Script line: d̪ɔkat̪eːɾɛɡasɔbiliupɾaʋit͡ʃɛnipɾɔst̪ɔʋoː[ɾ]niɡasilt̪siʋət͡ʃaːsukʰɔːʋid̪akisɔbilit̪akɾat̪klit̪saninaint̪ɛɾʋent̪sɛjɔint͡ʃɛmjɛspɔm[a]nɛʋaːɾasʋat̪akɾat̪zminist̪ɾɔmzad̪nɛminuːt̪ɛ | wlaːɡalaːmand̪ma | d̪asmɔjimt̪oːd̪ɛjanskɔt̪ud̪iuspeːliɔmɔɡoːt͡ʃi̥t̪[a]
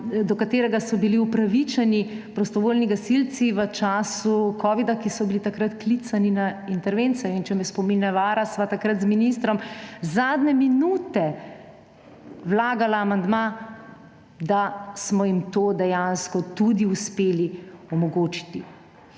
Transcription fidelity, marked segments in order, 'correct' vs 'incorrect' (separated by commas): incorrect, incorrect, incorrect